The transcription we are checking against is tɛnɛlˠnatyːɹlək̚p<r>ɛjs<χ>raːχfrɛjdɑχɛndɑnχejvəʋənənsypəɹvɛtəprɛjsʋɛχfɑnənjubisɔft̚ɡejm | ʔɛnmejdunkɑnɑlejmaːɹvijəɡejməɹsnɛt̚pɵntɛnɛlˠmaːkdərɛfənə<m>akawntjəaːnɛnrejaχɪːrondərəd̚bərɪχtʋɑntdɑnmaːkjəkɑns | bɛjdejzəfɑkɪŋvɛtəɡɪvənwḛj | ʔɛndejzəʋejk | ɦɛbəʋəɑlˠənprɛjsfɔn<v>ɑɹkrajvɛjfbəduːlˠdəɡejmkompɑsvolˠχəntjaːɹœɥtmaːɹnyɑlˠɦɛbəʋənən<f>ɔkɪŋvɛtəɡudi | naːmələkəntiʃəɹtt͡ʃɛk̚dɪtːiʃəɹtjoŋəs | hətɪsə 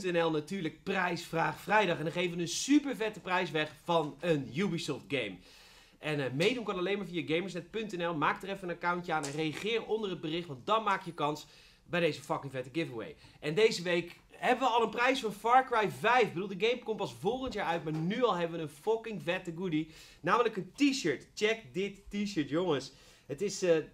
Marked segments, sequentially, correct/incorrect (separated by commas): correct, incorrect, incorrect, incorrect, correct